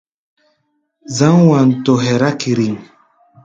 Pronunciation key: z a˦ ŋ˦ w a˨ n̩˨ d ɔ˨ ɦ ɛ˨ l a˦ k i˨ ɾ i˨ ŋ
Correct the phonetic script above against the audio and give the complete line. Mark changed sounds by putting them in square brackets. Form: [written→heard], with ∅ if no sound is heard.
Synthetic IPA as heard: z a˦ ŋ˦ w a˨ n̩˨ [d→t] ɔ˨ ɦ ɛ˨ [l→ɾ] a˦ k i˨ ɾ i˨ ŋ